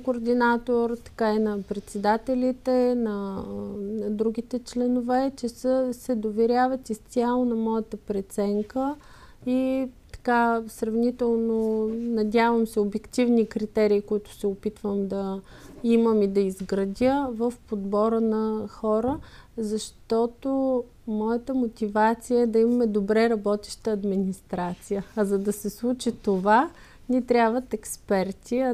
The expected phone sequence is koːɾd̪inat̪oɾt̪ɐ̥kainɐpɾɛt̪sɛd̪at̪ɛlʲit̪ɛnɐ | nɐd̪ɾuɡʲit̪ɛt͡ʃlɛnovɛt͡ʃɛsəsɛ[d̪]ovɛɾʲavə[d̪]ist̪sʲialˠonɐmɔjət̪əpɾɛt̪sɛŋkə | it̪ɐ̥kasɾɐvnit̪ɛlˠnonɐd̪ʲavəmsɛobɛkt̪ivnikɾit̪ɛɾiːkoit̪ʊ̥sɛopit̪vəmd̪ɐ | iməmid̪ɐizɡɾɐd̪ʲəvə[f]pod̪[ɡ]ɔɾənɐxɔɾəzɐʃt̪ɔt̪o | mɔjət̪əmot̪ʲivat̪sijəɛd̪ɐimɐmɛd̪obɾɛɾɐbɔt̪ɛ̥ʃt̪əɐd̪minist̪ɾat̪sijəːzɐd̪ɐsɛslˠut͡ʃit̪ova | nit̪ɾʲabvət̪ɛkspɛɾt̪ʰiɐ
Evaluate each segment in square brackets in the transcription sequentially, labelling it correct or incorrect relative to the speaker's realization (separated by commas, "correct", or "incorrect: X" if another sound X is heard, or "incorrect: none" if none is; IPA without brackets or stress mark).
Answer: correct, incorrect: t̪, correct, incorrect: b